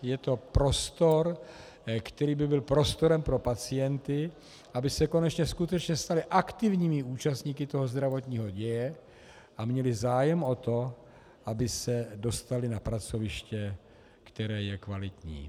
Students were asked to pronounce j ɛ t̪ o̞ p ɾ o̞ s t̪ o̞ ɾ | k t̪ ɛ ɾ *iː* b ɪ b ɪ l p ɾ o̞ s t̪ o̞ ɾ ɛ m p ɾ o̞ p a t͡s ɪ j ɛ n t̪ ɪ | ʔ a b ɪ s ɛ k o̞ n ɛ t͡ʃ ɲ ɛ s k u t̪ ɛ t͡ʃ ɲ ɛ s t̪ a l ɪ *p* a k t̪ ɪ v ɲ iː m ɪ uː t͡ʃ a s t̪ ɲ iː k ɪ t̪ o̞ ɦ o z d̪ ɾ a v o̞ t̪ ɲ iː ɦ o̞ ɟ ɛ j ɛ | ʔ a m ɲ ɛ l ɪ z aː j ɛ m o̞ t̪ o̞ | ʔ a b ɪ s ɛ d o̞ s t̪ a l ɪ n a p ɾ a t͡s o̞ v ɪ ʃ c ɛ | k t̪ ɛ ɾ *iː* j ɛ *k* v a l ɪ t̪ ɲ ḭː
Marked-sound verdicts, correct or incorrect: correct, incorrect: ʔ, incorrect: ɛː, correct

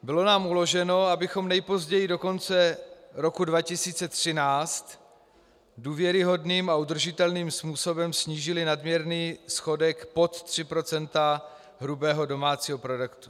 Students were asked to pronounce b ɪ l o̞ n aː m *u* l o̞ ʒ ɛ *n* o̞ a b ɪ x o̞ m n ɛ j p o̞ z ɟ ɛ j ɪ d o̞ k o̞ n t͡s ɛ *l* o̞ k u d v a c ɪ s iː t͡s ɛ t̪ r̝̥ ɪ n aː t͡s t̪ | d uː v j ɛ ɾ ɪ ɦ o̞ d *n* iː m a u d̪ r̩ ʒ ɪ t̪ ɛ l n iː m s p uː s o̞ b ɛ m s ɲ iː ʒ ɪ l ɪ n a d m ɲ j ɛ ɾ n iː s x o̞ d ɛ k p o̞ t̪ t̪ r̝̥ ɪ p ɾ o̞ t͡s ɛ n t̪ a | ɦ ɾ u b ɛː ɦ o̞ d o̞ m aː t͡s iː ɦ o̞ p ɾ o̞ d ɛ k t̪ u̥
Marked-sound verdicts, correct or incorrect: correct, correct, incorrect: ɾ, correct

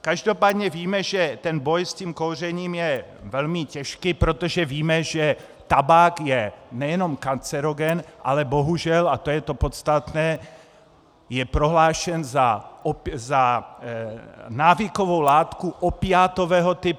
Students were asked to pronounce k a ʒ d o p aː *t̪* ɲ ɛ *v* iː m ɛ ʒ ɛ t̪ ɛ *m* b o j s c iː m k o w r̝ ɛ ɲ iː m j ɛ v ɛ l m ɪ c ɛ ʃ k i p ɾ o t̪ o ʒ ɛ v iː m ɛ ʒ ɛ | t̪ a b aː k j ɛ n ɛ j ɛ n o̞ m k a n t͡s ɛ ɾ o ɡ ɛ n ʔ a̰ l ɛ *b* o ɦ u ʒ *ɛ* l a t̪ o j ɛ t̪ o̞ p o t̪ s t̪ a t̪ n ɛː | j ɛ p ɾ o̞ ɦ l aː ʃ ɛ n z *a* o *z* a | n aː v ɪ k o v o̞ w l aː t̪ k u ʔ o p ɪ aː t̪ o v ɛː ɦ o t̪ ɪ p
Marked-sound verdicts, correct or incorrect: incorrect: d̪, correct, incorrect: n, correct, correct, correct, correct

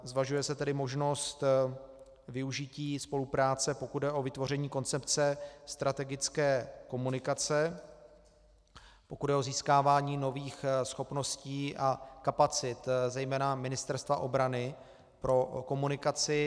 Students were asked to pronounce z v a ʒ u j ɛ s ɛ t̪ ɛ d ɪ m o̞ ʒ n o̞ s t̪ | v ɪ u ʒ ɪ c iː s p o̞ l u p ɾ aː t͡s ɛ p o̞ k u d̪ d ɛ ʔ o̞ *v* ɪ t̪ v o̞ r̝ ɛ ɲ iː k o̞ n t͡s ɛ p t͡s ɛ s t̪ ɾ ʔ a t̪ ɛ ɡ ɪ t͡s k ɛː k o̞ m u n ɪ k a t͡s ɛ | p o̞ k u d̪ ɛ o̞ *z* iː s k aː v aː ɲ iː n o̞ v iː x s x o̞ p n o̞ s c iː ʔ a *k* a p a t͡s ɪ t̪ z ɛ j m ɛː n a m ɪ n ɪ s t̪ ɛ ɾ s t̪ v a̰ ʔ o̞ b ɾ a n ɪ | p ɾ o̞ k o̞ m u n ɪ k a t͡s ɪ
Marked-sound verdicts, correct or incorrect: correct, correct, correct

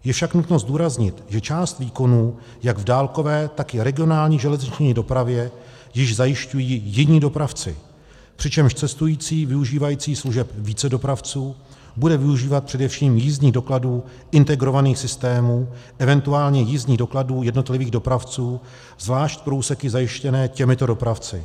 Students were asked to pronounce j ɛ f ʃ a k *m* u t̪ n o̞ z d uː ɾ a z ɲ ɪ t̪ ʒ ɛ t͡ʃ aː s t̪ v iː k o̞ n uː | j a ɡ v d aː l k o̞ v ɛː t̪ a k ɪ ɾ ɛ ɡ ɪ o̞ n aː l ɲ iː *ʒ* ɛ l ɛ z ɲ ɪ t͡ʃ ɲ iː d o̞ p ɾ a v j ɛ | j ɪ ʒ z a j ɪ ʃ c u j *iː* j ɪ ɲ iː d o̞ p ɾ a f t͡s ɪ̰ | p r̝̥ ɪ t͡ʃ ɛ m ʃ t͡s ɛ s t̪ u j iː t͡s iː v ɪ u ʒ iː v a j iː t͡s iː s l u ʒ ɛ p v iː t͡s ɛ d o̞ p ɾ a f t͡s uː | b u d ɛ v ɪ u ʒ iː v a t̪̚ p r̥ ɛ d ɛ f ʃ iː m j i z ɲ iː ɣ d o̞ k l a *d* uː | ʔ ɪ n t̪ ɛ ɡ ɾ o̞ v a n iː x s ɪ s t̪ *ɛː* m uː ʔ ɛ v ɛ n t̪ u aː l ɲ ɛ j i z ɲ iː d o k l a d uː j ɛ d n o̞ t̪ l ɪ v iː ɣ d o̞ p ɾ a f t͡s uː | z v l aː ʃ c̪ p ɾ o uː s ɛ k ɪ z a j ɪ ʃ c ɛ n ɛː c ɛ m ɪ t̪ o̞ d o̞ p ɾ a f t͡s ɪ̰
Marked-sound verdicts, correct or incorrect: incorrect: n, correct, correct, correct, correct

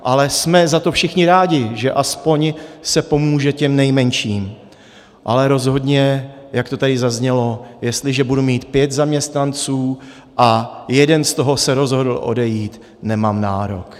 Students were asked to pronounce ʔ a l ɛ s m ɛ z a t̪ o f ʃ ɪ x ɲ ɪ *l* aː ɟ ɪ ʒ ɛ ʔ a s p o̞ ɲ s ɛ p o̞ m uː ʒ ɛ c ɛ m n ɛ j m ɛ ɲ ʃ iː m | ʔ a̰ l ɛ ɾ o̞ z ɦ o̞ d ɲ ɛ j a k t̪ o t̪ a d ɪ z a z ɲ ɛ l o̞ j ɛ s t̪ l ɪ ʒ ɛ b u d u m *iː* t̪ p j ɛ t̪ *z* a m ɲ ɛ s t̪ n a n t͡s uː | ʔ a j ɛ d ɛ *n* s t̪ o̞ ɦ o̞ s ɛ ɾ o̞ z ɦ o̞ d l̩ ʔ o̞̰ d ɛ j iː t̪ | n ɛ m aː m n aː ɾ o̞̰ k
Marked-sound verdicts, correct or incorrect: incorrect: ɾ, correct, correct, correct

